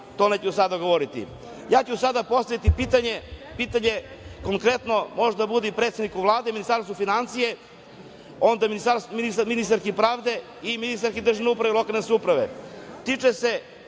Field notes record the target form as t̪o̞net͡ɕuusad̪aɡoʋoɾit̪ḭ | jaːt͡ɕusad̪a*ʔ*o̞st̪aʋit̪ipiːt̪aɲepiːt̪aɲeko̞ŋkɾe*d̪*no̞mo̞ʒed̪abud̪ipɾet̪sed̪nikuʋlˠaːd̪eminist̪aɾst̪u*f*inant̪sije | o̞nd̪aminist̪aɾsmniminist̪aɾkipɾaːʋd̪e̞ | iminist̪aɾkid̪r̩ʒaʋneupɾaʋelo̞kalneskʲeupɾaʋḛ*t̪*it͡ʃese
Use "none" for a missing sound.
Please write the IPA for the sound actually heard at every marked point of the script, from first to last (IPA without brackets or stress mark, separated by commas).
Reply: p, t̪, f, t̪